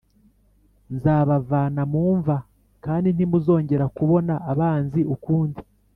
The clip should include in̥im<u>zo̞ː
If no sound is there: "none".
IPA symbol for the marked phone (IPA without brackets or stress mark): u